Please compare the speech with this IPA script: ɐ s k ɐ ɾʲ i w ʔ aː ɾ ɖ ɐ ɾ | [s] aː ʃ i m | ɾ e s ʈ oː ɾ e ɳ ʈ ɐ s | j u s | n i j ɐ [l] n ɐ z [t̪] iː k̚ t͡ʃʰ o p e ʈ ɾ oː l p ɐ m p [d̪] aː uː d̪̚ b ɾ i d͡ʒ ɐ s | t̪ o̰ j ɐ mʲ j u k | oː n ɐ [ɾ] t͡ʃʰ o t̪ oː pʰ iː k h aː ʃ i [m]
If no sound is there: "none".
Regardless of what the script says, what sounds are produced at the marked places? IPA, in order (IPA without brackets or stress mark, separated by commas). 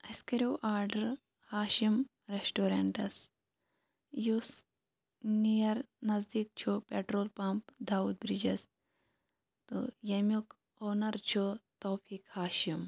h, ɾ, d̪, d̪, ɾ, m